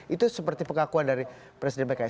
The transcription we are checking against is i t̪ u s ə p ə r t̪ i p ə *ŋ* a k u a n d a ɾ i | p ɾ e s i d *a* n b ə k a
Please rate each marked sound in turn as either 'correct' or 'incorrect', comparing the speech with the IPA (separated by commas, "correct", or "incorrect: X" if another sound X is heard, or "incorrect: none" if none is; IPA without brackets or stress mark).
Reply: correct, incorrect: ɛ